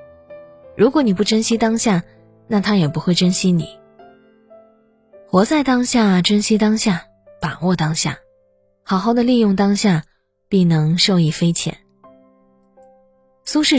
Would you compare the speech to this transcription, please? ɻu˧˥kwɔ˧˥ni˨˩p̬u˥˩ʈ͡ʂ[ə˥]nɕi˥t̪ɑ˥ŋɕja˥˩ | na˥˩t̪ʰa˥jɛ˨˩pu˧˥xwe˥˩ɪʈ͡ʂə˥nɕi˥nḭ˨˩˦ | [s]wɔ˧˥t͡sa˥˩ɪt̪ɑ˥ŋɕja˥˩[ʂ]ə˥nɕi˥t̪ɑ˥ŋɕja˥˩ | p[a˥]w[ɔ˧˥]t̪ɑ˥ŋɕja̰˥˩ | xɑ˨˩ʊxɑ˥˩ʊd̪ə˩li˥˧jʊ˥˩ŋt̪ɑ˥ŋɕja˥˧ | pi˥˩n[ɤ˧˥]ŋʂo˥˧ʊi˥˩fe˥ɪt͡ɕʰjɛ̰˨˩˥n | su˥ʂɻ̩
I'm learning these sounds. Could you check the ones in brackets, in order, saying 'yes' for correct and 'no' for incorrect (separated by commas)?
yes, no, no, no, no, yes